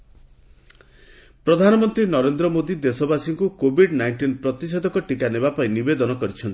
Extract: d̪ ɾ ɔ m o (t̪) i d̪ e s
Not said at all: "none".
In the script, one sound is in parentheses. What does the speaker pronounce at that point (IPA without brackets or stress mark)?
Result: d̪